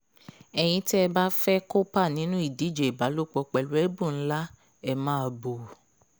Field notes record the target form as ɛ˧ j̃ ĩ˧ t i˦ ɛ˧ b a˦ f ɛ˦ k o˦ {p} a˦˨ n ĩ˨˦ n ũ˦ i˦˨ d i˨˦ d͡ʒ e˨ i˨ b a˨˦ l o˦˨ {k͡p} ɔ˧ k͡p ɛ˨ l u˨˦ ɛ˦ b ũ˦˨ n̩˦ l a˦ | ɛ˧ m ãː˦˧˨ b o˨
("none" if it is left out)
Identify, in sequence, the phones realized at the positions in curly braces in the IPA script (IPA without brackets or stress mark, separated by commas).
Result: p, k͡p